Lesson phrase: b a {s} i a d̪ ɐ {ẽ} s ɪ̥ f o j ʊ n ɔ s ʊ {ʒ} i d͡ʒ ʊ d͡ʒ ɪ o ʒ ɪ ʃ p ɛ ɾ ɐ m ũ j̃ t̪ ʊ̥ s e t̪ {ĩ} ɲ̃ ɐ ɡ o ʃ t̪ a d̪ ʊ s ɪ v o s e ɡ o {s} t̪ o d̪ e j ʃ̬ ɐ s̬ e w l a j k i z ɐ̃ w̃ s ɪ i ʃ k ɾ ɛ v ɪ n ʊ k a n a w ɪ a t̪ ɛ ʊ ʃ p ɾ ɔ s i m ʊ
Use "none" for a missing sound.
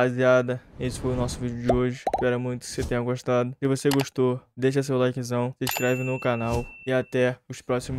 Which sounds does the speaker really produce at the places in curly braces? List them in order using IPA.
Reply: z, e, v, ẽ, ʃ

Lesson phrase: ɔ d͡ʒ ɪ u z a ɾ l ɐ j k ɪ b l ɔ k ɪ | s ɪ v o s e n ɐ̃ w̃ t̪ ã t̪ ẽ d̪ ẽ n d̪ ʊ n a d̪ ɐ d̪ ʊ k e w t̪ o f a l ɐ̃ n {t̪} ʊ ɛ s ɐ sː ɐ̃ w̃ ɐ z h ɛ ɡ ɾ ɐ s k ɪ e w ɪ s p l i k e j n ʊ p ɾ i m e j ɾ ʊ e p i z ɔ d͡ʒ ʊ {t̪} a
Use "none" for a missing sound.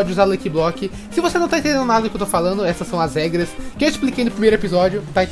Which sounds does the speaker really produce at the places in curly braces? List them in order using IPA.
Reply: d̪, t̪

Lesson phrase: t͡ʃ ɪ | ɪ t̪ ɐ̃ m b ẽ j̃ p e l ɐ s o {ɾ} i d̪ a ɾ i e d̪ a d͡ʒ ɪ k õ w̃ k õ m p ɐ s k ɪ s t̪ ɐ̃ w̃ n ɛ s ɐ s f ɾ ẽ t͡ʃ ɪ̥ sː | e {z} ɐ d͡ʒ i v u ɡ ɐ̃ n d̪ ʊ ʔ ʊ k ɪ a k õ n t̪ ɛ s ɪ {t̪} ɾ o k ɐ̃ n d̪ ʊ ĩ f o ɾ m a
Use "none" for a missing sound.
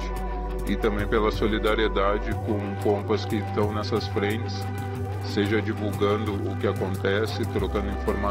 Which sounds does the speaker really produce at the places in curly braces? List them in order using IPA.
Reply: l, ʒ, t̪

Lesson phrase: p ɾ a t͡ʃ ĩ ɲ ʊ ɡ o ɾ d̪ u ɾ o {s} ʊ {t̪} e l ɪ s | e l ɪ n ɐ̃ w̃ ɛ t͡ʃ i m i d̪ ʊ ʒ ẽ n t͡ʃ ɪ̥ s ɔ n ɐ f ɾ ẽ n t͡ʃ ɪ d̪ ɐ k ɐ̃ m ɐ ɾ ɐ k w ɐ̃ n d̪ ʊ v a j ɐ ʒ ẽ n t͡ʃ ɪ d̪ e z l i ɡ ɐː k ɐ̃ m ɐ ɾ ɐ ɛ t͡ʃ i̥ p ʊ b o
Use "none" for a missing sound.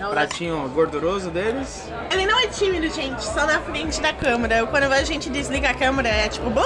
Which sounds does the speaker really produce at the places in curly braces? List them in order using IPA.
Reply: z, d̪

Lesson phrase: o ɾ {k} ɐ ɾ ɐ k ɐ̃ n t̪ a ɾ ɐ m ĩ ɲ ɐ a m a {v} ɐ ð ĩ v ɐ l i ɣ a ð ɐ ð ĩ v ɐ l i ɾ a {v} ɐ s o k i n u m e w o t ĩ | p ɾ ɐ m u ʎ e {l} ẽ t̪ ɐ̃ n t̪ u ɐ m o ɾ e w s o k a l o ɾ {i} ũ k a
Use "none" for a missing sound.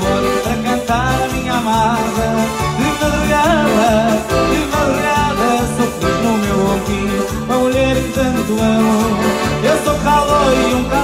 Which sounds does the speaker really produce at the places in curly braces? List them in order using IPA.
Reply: p, ð, ð, ɾ, i

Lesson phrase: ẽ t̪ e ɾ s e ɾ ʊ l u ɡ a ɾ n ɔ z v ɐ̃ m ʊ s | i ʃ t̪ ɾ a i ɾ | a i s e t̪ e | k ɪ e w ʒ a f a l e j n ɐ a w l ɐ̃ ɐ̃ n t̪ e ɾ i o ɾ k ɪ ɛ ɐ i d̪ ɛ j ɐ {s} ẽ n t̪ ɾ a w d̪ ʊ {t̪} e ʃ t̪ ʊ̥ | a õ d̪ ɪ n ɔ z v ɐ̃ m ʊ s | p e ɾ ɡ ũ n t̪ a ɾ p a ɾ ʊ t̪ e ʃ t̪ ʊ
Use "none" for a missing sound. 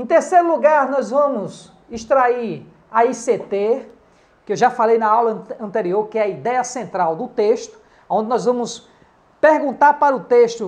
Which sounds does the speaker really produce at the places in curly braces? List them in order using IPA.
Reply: s, t̪

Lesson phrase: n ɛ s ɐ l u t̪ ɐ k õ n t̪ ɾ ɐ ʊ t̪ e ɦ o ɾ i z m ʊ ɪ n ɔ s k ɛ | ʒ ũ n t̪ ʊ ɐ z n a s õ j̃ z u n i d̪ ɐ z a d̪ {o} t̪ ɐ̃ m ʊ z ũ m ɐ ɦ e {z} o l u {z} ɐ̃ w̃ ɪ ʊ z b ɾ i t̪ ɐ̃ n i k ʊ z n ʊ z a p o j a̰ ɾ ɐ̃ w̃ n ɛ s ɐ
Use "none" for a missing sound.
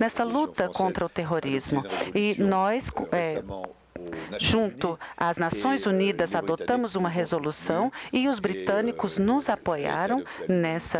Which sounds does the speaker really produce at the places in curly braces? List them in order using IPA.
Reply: o, z, s

